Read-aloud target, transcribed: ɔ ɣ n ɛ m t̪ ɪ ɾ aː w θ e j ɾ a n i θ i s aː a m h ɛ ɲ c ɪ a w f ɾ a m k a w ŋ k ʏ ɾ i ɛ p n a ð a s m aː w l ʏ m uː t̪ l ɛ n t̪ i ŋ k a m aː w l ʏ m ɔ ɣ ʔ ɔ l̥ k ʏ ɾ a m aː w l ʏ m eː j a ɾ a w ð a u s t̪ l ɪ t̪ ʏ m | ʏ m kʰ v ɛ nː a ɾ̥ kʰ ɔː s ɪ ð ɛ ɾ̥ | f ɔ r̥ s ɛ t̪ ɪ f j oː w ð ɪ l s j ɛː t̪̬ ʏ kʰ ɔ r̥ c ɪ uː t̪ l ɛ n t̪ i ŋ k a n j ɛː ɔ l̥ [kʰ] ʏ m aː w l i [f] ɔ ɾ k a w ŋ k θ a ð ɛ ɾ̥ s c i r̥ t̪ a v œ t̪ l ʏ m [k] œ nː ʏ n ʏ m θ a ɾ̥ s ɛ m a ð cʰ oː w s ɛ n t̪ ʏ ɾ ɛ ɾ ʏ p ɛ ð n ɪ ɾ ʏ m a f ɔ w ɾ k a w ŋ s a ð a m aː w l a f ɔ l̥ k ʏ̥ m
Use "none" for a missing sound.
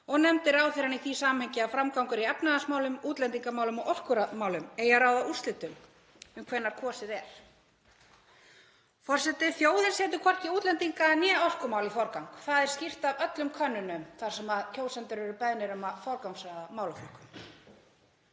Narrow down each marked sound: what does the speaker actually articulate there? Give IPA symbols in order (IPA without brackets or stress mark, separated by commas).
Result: k, f, kʰ